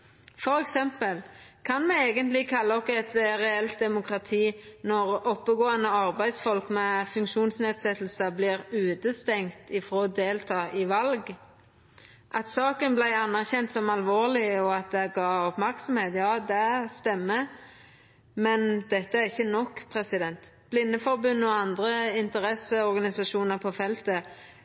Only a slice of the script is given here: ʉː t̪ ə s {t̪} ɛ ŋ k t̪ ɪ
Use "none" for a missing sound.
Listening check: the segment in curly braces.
t̪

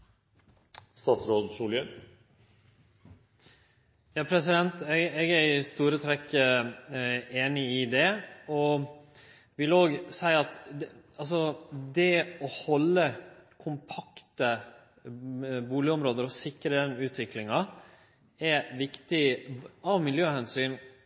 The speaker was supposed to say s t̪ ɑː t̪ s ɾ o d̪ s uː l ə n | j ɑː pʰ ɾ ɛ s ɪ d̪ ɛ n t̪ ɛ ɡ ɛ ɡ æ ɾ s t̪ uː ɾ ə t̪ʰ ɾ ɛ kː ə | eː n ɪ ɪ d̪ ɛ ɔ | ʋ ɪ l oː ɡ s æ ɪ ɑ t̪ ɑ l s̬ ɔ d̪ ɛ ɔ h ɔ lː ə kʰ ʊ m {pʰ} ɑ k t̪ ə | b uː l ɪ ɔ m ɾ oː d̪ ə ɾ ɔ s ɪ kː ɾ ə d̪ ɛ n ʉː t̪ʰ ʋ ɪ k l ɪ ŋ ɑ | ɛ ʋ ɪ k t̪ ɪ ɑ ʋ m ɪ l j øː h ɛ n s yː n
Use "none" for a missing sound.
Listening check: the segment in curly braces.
pʰ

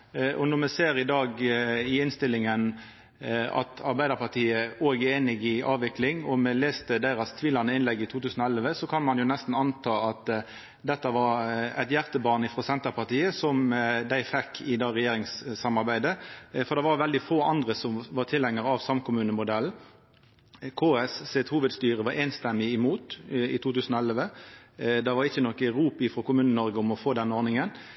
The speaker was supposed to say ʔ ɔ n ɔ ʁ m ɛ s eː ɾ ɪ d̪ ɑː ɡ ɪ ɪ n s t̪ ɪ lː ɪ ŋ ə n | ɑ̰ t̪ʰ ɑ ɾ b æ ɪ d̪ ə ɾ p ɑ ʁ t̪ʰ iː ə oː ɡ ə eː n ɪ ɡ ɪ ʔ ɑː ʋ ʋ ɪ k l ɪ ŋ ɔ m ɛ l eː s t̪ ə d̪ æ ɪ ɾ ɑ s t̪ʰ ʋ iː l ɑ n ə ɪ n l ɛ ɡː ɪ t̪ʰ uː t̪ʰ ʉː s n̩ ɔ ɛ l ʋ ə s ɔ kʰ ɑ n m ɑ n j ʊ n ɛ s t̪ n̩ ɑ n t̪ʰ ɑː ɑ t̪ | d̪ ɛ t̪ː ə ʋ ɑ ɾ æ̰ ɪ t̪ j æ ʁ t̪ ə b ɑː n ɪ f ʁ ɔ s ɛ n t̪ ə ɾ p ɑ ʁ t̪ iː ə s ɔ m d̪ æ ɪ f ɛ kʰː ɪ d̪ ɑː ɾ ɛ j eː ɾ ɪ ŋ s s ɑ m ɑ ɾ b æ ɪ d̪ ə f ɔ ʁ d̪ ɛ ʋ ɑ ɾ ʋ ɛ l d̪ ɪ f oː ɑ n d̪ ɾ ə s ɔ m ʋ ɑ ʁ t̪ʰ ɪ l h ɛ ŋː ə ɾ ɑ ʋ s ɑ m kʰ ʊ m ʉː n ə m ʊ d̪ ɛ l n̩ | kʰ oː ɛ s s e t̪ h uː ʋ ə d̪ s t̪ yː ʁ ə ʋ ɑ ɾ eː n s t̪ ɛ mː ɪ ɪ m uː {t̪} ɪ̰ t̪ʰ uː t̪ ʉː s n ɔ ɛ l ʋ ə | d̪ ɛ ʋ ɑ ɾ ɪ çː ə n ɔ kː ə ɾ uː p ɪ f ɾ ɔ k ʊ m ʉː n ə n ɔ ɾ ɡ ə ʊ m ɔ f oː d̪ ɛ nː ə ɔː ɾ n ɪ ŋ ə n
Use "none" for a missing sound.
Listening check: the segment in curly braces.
t̪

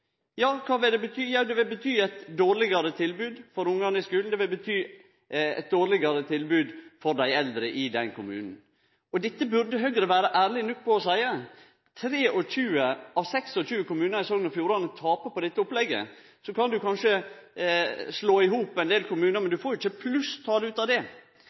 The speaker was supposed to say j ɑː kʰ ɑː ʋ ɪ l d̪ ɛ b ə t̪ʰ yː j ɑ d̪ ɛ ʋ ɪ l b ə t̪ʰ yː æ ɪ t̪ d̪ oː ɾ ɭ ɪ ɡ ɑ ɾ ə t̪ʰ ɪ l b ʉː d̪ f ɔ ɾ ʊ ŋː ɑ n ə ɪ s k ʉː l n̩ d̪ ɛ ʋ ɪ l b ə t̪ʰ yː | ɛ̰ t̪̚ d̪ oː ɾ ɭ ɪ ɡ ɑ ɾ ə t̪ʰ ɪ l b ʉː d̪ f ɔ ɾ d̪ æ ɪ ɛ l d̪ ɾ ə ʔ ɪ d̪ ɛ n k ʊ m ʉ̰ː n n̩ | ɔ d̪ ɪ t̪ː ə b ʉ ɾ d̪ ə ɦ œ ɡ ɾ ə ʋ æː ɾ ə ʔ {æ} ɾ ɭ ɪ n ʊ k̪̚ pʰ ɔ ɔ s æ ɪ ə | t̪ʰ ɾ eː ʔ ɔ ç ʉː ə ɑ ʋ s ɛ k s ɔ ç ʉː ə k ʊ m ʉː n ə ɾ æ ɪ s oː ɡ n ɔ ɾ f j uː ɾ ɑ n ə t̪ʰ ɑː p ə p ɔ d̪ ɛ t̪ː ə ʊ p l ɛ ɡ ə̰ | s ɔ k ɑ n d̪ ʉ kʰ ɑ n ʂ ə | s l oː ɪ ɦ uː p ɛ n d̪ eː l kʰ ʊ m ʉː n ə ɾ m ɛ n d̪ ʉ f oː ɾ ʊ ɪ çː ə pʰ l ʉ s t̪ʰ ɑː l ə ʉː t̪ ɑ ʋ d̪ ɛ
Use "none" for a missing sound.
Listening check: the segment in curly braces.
æː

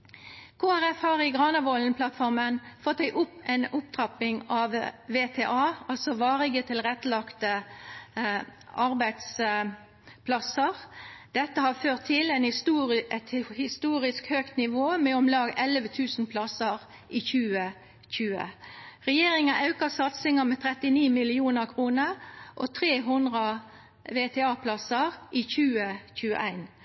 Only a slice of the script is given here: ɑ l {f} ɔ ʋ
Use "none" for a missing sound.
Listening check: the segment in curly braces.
s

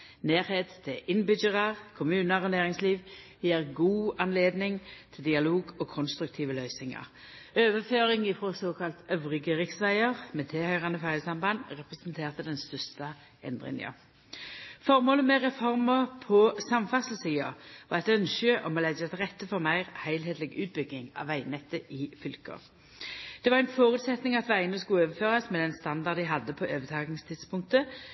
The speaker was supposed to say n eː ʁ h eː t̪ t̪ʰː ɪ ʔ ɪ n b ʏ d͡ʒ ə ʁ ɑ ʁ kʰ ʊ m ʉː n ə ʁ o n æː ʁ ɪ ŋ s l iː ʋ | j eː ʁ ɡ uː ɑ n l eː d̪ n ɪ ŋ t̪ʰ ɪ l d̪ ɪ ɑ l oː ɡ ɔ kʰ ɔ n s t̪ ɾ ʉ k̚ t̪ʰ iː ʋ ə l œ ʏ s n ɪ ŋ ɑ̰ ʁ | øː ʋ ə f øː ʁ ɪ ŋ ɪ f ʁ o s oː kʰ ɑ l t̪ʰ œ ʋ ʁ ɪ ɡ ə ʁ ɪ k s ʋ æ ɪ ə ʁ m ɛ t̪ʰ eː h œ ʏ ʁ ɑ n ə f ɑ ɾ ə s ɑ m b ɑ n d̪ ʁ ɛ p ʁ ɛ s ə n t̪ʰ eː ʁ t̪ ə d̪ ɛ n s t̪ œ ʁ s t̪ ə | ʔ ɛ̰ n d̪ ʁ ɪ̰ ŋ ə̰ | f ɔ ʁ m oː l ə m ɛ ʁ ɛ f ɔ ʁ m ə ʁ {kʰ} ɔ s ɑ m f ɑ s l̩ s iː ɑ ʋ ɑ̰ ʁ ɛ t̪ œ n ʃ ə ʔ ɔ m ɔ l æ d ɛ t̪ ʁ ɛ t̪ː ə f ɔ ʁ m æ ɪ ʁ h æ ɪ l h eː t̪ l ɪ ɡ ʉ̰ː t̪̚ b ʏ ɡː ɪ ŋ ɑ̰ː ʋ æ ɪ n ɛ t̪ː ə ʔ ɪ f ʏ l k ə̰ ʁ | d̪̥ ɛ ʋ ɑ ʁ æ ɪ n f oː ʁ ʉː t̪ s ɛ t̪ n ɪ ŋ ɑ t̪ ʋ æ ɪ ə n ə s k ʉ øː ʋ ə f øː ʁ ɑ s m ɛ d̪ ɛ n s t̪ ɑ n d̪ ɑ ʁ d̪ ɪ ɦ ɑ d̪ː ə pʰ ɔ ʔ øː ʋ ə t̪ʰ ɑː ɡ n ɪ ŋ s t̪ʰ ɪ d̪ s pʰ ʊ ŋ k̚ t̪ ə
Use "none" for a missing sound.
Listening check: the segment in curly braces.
pʰ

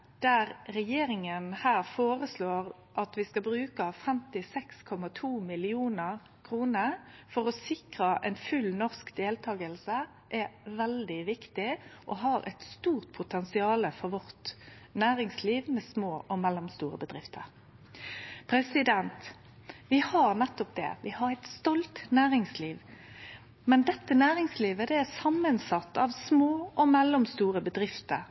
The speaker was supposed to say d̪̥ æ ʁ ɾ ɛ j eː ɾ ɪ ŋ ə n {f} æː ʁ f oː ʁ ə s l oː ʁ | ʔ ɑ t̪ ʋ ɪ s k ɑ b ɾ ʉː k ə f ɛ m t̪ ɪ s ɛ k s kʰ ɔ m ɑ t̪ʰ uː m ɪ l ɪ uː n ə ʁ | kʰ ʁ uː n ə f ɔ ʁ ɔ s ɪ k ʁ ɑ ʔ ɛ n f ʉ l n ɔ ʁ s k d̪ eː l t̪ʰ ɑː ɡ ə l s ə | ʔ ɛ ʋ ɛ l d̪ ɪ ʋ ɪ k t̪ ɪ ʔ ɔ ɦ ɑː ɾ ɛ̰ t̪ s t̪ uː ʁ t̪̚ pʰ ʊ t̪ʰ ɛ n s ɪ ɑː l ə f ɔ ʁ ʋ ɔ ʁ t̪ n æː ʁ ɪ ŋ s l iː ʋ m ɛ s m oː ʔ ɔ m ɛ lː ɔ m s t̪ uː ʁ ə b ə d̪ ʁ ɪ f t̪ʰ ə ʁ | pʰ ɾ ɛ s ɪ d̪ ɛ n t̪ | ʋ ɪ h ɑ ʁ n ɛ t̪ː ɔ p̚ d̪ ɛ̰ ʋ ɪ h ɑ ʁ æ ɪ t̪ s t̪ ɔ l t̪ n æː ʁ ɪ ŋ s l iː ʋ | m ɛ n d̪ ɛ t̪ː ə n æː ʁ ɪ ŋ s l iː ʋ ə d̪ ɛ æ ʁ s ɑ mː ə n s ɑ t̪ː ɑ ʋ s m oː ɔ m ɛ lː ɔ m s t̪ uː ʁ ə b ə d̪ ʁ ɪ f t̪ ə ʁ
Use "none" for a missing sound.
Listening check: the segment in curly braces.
h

